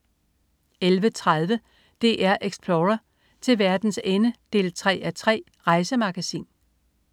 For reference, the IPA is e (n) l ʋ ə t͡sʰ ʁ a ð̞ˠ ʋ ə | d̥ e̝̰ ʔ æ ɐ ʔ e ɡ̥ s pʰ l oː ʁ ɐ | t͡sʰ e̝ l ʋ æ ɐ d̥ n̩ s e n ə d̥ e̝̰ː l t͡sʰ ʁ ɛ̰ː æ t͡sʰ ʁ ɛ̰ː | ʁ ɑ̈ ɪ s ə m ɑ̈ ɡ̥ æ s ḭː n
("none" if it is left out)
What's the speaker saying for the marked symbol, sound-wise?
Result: none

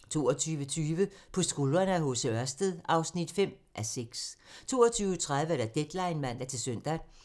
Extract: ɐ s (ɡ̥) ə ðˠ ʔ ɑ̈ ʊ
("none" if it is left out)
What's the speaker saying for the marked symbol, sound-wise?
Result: d̥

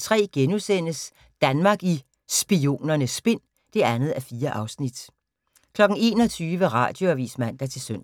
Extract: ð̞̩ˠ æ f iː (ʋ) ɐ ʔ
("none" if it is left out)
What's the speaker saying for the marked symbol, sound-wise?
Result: none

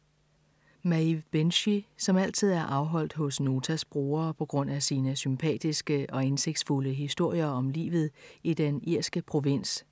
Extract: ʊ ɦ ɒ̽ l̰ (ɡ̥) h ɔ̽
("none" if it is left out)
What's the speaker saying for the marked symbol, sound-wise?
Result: d̥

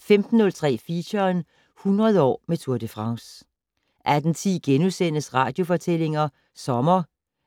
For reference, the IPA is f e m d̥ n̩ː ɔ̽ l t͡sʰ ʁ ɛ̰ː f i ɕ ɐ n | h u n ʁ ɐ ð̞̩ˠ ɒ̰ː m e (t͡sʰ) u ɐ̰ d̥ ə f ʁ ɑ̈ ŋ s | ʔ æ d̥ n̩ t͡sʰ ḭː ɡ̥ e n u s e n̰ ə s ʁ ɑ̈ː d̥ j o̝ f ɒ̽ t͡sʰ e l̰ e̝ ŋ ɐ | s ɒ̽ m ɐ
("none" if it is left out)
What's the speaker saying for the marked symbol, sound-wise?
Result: t͡sʰ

